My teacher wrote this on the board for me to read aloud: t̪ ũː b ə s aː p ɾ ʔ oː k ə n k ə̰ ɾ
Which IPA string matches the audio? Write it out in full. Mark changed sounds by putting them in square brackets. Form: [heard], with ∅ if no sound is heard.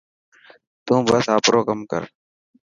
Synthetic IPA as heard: t̪ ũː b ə s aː p ɾ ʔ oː k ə [m] k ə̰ ɾ